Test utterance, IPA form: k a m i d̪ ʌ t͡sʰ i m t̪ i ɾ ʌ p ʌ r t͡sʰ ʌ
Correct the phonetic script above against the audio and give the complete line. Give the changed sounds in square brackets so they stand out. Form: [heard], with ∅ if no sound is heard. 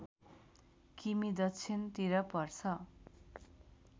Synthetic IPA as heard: k [i] m i d̪ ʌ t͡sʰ i [n] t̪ i ɾ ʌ p ʌ r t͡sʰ ʌ